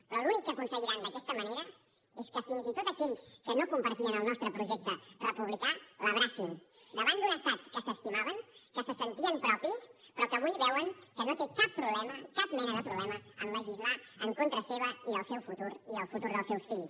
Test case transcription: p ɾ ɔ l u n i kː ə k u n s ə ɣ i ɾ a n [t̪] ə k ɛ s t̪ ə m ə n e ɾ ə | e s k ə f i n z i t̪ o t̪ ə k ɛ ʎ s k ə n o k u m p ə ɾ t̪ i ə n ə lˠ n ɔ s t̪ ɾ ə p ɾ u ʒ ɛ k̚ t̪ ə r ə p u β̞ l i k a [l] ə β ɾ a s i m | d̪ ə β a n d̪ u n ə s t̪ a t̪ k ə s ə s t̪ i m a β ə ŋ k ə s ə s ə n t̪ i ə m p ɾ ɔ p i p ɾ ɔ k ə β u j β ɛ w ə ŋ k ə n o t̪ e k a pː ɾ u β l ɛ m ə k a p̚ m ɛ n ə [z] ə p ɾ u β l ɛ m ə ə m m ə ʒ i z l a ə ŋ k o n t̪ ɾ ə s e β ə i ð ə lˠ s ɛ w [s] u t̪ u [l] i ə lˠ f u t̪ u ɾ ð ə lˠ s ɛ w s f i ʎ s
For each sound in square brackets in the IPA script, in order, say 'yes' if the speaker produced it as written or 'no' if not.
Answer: no, yes, no, no, no

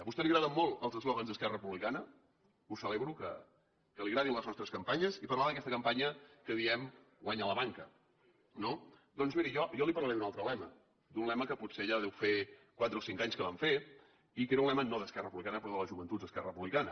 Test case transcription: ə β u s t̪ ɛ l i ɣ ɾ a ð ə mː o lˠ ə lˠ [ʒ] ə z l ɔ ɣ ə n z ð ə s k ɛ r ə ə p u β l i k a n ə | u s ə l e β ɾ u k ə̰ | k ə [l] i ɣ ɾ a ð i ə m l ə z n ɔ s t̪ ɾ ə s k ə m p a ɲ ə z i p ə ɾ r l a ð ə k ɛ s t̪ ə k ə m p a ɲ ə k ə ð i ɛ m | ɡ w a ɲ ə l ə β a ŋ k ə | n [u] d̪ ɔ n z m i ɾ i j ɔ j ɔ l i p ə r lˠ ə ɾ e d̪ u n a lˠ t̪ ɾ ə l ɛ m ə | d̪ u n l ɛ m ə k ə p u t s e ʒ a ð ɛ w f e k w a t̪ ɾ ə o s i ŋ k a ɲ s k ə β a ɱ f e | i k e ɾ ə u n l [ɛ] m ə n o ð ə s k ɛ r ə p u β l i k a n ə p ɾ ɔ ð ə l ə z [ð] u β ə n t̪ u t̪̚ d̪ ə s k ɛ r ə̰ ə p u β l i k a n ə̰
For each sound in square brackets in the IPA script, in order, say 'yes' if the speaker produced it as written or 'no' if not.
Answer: no, yes, no, yes, no

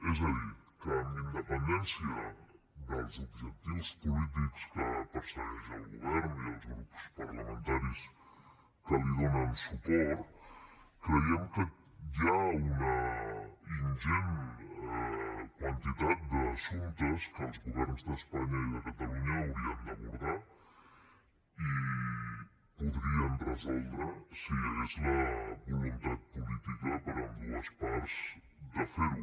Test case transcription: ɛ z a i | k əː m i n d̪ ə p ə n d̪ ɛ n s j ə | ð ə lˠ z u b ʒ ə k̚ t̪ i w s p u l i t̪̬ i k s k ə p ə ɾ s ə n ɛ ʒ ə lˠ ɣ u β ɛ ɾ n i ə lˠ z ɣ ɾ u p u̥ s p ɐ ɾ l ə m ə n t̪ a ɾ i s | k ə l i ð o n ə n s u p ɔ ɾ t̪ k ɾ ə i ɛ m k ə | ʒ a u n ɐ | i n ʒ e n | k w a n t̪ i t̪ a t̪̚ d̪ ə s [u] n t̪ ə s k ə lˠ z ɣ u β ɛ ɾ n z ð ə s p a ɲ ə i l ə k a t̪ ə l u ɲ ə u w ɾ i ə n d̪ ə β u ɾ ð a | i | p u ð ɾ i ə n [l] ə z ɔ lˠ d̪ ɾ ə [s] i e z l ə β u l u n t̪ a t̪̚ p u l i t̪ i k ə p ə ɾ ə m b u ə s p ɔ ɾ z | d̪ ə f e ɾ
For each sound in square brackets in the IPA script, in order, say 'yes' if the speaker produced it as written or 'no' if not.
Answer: yes, no, yes

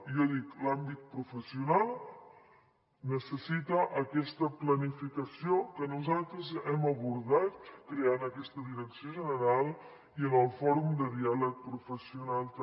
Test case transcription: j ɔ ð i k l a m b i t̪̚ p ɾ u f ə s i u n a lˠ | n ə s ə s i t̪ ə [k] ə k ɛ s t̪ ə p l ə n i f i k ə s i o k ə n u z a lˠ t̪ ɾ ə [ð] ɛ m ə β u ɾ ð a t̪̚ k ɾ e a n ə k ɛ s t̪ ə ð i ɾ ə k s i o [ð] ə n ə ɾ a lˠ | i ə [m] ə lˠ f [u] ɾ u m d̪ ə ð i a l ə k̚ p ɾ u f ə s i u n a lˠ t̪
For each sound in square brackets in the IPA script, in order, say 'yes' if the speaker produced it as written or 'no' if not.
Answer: no, no, no, no, no

